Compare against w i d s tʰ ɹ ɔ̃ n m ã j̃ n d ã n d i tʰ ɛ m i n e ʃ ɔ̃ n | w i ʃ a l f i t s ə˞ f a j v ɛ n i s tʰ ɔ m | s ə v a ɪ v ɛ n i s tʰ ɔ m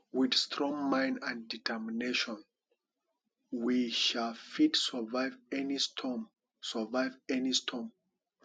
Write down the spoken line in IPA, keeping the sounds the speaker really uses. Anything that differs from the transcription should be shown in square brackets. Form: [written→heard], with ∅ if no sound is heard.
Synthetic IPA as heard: w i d s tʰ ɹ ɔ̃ [n→ŋ] m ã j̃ n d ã n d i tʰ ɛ m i n e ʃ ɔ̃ n | w i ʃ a l f i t s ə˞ [f→v] a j v ɛ n i s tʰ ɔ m | s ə v a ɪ v ɛ n i s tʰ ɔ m

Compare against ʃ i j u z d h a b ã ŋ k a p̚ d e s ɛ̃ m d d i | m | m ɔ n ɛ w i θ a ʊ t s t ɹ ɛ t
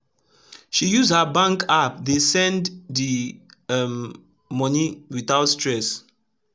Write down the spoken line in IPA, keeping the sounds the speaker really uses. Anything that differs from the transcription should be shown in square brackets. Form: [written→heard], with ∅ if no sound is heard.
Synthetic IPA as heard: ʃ i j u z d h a b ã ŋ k a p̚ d e s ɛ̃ [m→n] d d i | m | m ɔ n [ɛ→i] w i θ a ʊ t s t ɹ ɛ [t→s]

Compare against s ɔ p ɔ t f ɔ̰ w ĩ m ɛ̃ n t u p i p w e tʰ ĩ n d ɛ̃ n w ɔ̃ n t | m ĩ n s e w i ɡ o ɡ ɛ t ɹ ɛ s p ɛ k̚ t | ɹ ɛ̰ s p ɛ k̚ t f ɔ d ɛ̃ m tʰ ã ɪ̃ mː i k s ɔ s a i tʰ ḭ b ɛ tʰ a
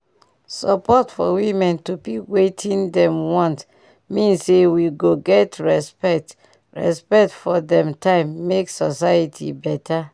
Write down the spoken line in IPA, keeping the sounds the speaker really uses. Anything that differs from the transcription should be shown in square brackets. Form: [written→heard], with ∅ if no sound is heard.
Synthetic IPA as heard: s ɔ p ɔ t f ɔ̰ w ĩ m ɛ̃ n t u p i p w e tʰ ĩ n d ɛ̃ [n→m] w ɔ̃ n t | m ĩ n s e w i ɡ o ɡ ɛ t ɹ ɛ s p ɛ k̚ t | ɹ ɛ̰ s p ɛ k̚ t f ɔ d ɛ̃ m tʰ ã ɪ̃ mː [i→e] k s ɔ s a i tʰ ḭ b ɛ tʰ a

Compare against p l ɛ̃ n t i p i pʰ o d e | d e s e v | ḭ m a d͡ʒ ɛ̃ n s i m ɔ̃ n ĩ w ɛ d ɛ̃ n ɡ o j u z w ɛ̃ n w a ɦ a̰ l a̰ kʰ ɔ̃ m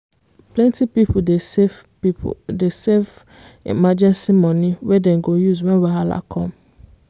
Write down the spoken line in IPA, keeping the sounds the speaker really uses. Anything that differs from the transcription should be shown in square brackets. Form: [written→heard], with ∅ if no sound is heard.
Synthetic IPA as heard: p l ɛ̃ n t i p i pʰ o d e | d e s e v | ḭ m a d͡ʒ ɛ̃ n s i m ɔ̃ n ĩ w ɛ d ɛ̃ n ɡ o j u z w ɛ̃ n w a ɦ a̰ l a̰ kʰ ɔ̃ m

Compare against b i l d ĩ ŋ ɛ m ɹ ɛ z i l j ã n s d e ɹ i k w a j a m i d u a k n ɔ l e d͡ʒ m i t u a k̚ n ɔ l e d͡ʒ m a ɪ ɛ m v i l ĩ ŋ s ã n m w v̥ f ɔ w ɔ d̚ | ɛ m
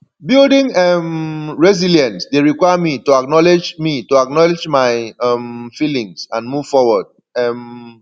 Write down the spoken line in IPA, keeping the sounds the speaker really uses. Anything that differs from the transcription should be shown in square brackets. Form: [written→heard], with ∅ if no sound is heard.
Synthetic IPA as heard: b i l d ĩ ŋ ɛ m ɹ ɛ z i l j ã n s d e ɹ i k w a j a m i [d→t] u a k n ɔ l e d͡ʒ m i t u a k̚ n ɔ l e d͡ʒ m a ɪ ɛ m [v→f] i l ĩ ŋ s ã n m [w→u] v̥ f ɔ w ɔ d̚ | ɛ m

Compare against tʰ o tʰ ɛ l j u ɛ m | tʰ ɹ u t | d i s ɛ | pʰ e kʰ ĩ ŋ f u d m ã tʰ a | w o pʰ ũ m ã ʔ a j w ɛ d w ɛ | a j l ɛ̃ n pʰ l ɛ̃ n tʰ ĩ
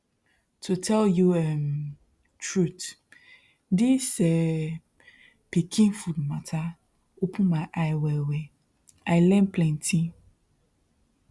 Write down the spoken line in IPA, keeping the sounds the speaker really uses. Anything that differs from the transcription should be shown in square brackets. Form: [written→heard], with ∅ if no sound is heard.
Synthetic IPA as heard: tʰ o tʰ ɛ l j u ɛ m | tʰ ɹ u t | d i s ɛ | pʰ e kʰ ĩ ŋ f u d m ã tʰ a | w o pʰ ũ m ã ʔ a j w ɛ [d→∅] w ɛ | a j l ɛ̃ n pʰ l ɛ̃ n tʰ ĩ

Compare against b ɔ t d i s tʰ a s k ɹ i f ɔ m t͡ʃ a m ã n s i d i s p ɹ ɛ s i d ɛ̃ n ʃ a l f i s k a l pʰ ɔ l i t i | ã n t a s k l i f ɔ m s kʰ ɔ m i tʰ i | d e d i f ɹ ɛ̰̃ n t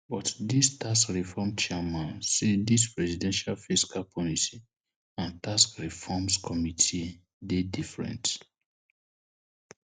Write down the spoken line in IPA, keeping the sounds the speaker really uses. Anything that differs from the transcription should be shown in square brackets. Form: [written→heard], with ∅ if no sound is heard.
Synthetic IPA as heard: b ɔ t d i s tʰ a s k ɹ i f ɔ m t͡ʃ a m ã n s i d i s p ɹ ɛ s i d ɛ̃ n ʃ a l f i s k a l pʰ ɔ l i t i | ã n t a s k [l→ɹ] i f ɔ m s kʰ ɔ m i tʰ i | d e d i f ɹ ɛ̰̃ n t

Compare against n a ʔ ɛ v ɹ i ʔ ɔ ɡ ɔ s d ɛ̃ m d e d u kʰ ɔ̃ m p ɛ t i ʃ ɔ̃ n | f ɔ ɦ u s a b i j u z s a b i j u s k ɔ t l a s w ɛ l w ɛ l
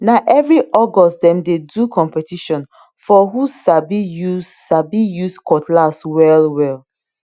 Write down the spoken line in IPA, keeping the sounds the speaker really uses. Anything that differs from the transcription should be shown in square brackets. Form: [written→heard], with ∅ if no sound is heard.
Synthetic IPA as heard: n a ʔ ɛ v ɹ i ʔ ɔ ɡ ɔ s d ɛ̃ m d e d u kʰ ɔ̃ m p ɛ t i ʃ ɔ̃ n | f ɔ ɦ u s a b i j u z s a b i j u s k ɔ t l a s w ɛ l w ɛ l

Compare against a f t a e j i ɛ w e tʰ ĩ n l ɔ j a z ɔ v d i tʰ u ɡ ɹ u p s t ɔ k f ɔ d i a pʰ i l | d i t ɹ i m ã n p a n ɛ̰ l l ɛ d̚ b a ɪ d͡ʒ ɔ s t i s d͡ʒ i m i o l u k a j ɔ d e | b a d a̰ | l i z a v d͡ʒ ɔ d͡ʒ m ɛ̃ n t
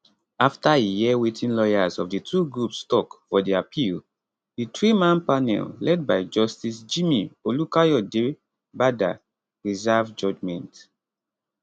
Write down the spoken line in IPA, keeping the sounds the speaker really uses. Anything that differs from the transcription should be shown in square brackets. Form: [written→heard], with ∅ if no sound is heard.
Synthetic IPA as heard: a f t a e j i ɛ w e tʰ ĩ n l ɔ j a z ɔ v d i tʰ u ɡ ɹ u p s t ɔ k f ɔ d i a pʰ i l | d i t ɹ i m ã n p a n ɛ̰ l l ɛ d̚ b a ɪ d͡ʒ ɔ s t i s d͡ʒ i m i o l u k a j ɔ d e | b a d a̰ | [l→ɹ] i z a v d͡ʒ ɔ d͡ʒ m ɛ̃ n t

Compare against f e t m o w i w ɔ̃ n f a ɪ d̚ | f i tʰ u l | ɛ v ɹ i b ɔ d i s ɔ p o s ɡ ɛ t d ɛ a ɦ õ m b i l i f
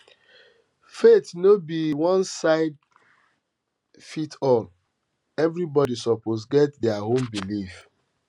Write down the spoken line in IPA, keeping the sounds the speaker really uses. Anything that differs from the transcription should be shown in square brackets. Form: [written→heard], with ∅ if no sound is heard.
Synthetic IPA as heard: f e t [m→n] o [w→b] i w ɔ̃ n [f→s] a ɪ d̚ | f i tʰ [u→ɔ] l | ɛ v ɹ i b ɔ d i s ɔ p o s ɡ ɛ t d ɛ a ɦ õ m b i l i f

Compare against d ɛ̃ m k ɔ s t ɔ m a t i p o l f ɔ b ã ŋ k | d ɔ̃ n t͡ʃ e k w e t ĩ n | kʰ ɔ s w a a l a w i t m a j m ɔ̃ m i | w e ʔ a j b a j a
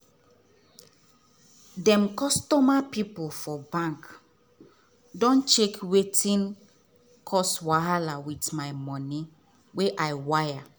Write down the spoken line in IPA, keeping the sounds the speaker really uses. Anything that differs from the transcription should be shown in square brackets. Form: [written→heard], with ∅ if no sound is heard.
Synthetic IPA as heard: d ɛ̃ m k ɔ s t ɔ m a [t→p] i p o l f ɔ b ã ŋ k | d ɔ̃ n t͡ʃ e k w e t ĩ n | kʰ ɔ s w a a l a w i t m a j m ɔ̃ [m→n] i | w e ʔ a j [b→w] a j a

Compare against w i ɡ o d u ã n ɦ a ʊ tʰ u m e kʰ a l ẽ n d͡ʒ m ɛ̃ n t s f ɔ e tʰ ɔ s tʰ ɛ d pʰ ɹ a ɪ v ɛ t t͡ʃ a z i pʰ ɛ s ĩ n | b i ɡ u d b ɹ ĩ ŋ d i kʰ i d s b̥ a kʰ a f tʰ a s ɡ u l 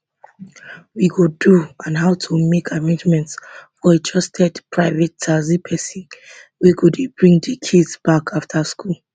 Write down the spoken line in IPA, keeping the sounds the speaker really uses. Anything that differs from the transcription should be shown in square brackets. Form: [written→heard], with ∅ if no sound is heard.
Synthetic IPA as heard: w i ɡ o d u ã n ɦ a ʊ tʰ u m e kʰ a [l→ɹ] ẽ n d͡ʒ m ɛ̃ n t s f ɔ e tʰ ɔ s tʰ ɛ d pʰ ɹ a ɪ v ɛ t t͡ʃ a z i pʰ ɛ s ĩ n | [b→w] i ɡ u d b ɹ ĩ ŋ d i kʰ i d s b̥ a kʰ a f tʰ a s [ɡ→k] u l

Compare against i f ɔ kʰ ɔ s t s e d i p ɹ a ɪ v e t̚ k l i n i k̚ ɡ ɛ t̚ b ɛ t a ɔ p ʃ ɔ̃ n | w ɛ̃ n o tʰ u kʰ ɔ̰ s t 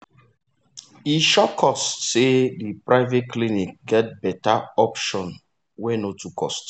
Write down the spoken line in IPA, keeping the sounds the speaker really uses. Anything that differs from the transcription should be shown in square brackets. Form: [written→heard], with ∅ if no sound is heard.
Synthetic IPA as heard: i [f→ʃ] ɔ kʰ ɔ s t s e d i p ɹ a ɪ v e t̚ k l i n i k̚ ɡ ɛ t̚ b ɛ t a ɔ p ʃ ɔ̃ n | w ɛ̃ n o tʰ u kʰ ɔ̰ s t

